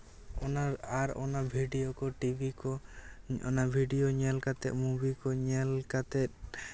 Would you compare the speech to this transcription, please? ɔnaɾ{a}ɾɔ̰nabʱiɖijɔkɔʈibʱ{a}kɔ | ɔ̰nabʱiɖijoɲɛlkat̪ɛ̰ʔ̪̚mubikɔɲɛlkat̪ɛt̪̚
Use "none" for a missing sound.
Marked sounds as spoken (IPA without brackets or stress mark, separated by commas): a, i